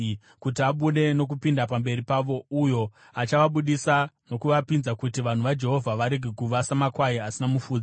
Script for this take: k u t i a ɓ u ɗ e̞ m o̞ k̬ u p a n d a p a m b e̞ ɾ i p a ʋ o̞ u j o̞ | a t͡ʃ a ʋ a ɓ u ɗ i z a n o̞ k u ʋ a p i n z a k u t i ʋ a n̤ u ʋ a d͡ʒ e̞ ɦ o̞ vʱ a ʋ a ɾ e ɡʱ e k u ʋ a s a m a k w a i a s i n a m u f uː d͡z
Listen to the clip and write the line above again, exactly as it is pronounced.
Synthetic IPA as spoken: k u t i a ɓ u ɗ e̞ n o̞ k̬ u p i n d a p a m b e̞ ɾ i p a ʋ o̞ u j o̞ | a t͡ʃ a ʋ a ɓ u ɗ i s a n o̞ k u ʋ a p i n z a k u t i ʋ a n̤ u ʋ a d͡ʒ e̞ ɦ o̞ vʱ a ʋ a ɾ e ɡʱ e k u ʋ a s a m a k w a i a s i n a m u f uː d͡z